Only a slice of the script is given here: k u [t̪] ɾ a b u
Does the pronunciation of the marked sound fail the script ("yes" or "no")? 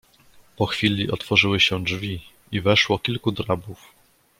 yes